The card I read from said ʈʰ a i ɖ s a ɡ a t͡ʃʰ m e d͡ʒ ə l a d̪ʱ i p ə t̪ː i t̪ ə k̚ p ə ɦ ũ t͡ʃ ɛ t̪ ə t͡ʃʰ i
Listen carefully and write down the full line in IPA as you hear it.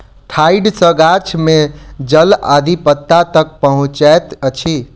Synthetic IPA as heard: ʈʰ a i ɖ s ə ɡ a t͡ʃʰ m e d͡ʒ ə l a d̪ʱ i p ə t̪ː a t̪ ə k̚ p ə ɦ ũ t͡ʃ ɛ t̪ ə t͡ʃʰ i